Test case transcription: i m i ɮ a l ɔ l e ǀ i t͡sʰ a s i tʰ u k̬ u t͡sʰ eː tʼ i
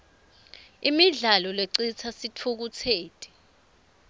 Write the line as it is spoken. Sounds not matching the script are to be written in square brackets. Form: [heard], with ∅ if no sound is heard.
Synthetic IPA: i m i ɮ a l ɔ l e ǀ i t͡sʰ a s i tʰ u k̬ u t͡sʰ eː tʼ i